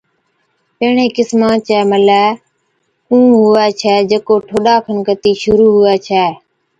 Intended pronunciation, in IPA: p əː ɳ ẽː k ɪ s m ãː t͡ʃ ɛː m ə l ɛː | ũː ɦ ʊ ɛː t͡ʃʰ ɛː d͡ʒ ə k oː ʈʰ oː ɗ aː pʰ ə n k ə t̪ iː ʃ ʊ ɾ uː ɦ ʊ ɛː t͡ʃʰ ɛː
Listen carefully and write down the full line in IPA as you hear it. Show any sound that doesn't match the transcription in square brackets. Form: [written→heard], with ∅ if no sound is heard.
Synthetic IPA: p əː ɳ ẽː k ɪ s m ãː t͡ʃ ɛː m ə l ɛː | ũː ɦ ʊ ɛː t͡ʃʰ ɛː d͡ʒ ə k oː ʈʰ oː ɗ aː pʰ ə n k ə t̪ iː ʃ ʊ ɾ uː ɦ ʊ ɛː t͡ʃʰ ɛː

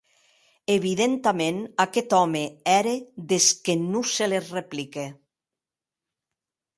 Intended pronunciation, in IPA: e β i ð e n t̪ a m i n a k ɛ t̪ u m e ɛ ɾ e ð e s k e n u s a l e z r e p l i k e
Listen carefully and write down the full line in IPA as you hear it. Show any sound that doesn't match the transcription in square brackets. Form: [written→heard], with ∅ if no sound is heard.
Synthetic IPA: e β i ð e n t̪ a m [i→e] n a k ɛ t̪ [u→ɔ] m e ɛ ɾ e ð e s k e n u s [a→e] l e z r e p l i k e

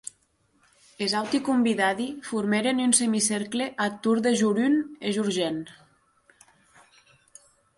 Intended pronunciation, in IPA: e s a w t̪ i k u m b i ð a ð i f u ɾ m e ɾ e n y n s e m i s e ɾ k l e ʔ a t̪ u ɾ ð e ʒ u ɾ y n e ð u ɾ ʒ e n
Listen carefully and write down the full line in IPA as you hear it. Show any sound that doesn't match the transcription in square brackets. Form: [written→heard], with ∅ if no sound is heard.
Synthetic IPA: e [s→z] a w t̪ i k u m b i ð a ð i f u ɾ m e ɾ e n y n s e m i s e ɾ k l e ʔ a t̪ u ɾ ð e ʒ u ɾ y n e [ð→ʒ] u ɾ ʒ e n

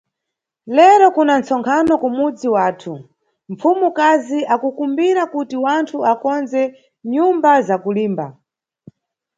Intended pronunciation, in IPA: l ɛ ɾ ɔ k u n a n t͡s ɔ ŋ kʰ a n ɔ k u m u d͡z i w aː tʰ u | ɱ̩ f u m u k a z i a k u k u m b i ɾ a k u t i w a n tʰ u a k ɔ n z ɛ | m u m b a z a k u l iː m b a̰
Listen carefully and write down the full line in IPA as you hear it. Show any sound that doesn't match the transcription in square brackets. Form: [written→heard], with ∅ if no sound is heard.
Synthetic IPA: l ɛ ɾ ɔ k u n a n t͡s ɔ ŋ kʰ a n ɔ k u m u d͡z i w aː tʰ u | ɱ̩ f u m u k a z i a k u k u m b i ɾ a k u t i w a n tʰ u a k ɔ n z ɛ | [m→ɲ] u m b a z a k u l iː m b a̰

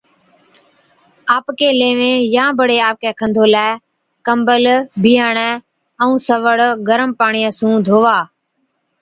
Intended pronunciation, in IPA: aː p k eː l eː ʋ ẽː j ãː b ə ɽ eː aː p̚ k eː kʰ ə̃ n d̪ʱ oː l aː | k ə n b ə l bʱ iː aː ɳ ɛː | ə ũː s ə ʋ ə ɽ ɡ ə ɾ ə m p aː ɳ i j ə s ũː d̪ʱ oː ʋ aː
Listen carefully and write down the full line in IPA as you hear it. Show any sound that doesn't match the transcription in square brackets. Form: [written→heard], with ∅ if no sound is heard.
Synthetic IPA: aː p k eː l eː ʋ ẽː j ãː b ə ɽ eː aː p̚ k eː kʰ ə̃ n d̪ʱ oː l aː | k ə [n→m] b ə l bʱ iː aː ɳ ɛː | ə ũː s ə ʋ ə ɽ ɡ ə ɾ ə m p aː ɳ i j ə s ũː d̪ʱ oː ʋ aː

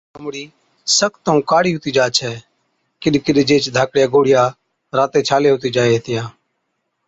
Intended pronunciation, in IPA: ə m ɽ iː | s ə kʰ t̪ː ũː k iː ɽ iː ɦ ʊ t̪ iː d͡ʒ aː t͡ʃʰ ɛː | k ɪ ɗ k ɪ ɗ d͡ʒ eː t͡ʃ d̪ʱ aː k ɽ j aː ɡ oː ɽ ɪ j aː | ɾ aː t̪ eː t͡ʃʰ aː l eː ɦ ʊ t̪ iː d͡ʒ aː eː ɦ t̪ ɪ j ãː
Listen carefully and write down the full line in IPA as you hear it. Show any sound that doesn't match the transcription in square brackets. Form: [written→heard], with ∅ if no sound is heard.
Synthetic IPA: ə m ɽ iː | s ə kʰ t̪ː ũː k [iː→aː] ɽ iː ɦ ʊ t̪ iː d͡ʒ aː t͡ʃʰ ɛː | k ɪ ɗ k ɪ ɗ d͡ʒ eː t͡ʃ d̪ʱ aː k ɽ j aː ɡ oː ɽ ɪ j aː | ɾ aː t̪ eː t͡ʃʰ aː l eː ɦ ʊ t̪ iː d͡ʒ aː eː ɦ t̪ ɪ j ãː

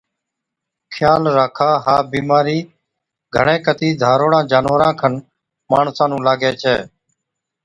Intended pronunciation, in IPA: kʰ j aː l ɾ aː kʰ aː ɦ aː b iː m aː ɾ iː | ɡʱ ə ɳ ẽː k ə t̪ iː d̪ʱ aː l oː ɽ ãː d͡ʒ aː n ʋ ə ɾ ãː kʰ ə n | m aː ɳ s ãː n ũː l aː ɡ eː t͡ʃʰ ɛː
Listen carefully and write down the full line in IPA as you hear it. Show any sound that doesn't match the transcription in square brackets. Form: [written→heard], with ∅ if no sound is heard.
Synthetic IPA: kʰ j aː l ɾ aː kʰ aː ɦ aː b iː m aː ɾ iː | ɡʱ ə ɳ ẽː k ə t̪ iː d̪ʱ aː [l→ɾ] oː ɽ ãː d͡ʒ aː n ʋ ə ɾ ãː kʰ ə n | m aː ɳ s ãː n ũː l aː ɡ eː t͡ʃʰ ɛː

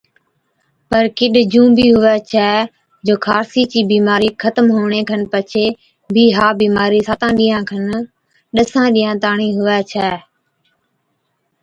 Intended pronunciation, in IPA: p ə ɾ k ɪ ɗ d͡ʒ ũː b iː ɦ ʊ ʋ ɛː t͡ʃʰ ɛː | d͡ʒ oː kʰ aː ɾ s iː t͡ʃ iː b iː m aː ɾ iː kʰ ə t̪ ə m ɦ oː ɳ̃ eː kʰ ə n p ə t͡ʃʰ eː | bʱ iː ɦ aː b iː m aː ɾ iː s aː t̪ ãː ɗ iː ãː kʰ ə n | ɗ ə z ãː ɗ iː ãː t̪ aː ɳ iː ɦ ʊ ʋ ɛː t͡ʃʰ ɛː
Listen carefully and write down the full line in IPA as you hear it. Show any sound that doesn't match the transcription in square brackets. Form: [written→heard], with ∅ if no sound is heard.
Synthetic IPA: p ə ɾ k ɪ ɗ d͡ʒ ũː b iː ɦ ʊ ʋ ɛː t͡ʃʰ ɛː | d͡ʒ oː kʰ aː ɾ s iː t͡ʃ iː b iː m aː ɾ iː kʰ ə t̪ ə m ɦ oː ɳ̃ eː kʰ ə n p ə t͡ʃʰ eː | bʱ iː ɦ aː b iː m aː ɾ iː s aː t̪ ãː ɗ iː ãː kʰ ə n | ɗ ə [z→s] ãː ɗ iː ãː t̪ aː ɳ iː ɦ ʊ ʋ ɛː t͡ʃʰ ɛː

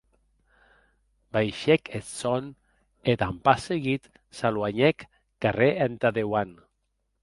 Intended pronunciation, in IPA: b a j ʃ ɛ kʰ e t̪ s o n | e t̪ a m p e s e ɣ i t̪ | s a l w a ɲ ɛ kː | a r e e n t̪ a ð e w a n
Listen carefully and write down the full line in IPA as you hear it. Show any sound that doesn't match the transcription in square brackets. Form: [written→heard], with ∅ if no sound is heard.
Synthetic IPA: b a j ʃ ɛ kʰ e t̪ s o n | e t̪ a m p [e→a] s e ɣ i t̪ | s a l w a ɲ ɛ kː | a r e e n t̪ a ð e w a n

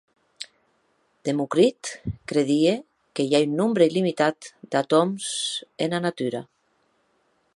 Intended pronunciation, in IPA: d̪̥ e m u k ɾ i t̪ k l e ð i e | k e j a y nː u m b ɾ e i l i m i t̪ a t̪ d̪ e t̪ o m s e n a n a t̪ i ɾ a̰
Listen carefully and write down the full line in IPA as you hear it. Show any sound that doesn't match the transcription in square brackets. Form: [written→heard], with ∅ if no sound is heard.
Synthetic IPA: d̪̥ e m u k ɾ i t̪ k [l→ɾ] e ð i e | k e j a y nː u m b ɾ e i l i m i t̪ a t̪ d̪ [e→a] t̪ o m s e n a n a t̪ [i→y] ɾ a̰

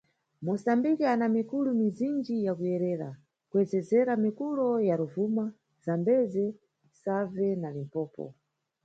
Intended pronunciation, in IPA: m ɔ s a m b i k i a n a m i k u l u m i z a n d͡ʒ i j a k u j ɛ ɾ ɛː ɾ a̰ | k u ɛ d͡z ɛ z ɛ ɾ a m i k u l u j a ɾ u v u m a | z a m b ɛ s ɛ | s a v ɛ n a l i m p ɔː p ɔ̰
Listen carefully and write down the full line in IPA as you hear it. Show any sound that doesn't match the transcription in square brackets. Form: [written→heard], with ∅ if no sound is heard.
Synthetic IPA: m ɔ s a m b i k i a n a m i k u l u m i z [a→i] n d͡ʒ i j a k u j ɛ ɾ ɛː ɾ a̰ | k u ɛ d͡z ɛ z ɛ ɾ a m i k u l [u→ɔ] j a ɾ u v u m a | z a m b ɛ [s→z] ɛ | s a v ɛ n a l i m p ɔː p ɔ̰

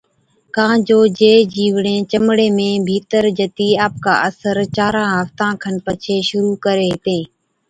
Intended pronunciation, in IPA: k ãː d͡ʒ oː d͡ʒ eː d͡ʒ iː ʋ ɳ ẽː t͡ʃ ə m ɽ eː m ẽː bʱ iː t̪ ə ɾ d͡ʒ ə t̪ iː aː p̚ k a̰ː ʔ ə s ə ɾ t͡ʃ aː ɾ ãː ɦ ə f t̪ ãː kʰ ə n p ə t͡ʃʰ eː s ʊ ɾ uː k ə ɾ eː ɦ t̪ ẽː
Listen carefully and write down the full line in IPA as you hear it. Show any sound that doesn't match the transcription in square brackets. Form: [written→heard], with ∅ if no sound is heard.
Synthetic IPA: k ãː d͡ʒ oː d͡ʒ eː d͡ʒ iː ʋ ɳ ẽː t͡ʃ ə m ɽ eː m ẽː bʱ iː t̪ ə ɾ d͡ʒ ə t̪ iː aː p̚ k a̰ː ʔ ə s ə ɾ t͡ʃ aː ɾ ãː ɦ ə f t̪ ãː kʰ ə n p ə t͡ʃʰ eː [s→ʃ] ʊ ɾ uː k ə ɾ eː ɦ t̪ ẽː

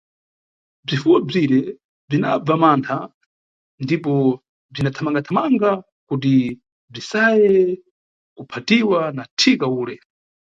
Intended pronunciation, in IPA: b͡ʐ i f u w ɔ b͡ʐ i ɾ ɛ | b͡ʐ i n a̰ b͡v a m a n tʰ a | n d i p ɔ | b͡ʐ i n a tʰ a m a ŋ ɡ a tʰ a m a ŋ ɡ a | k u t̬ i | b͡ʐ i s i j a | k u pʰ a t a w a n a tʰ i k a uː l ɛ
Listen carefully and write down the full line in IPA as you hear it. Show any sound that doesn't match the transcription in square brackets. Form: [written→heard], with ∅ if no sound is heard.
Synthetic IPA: b͡ʐ i f u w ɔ b͡ʐ i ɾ ɛ | b͡ʐ i n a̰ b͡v a m a n tʰ a | n d i p ɔ | b͡ʐ i n a tʰ a m a ŋ ɡ a tʰ a m a ŋ ɡ a | k u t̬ i | b͡ʐ i s [i→a] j [a→ɛ] | k u pʰ a t [a→i] w a n a tʰ i k a uː l ɛ

